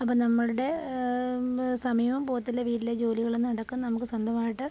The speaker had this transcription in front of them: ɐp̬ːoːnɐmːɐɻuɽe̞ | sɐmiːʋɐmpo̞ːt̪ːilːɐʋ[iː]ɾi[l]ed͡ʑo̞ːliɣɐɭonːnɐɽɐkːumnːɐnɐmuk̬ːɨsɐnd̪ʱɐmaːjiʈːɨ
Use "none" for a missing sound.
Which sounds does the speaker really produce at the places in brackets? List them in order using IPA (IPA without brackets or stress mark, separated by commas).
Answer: iː, l